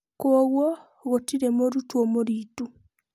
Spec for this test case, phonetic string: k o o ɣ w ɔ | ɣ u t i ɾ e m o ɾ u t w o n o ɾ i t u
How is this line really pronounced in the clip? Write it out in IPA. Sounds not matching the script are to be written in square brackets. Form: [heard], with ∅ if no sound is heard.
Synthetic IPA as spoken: k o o ɣ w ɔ | ɣ [o] t i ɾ e m o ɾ u t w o [m] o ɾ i t u